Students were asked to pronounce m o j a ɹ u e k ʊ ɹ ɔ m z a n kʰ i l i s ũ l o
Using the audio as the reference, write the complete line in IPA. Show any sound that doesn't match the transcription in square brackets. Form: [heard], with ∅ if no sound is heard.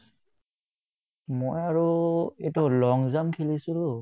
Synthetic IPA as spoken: m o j a ɹ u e [t] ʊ [l] ɔ [ŋ] z a [m] kʰ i l i s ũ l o